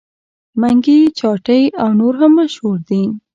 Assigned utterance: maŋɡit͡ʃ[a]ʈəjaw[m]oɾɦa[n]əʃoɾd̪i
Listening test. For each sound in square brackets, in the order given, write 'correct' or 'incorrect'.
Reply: incorrect: ɑ, incorrect: n, incorrect: m

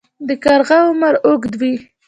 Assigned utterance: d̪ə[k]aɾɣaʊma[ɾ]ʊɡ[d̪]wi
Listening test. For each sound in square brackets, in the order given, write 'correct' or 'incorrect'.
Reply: correct, correct, correct

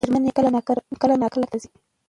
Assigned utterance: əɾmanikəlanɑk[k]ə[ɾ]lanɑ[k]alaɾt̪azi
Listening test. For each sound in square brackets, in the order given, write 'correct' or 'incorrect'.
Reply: correct, incorrect: none, correct

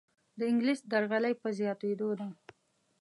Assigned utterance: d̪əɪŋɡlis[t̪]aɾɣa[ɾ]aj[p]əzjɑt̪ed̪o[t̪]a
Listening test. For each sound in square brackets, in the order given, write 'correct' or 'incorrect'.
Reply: incorrect: d̪, incorrect: l, correct, incorrect: d̪

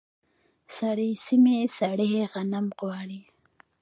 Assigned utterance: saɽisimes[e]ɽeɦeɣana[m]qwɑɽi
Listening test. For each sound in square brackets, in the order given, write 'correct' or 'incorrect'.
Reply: incorrect: a, correct

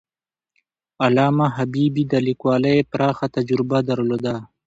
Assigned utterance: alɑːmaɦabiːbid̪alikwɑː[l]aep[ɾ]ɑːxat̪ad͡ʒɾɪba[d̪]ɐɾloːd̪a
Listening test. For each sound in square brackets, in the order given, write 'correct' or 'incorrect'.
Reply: correct, correct, correct

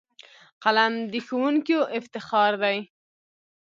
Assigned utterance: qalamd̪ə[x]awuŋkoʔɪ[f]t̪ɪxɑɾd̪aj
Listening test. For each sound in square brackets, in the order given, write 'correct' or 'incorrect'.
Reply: correct, correct

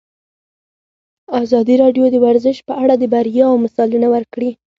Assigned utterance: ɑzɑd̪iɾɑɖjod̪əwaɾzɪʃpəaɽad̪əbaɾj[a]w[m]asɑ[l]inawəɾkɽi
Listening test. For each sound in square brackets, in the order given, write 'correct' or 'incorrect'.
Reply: incorrect: ɑ, correct, correct

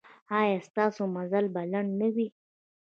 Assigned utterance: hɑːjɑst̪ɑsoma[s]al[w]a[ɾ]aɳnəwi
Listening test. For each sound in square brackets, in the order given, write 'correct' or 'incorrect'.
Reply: incorrect: z, incorrect: b, incorrect: l

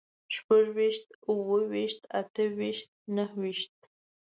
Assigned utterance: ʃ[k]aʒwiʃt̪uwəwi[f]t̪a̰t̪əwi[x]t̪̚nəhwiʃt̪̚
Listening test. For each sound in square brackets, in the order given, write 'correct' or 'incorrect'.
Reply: incorrect: p, incorrect: ʃ, incorrect: ʃ

